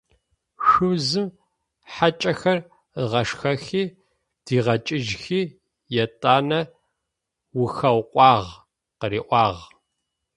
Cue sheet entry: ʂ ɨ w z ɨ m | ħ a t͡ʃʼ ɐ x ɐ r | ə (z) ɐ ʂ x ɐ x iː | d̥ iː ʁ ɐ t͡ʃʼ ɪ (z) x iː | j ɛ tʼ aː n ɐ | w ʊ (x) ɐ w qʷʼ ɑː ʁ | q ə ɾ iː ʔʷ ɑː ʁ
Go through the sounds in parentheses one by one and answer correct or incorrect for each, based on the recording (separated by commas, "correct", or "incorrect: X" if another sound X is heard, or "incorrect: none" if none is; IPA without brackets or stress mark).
incorrect: ʁ, incorrect: ʒ, correct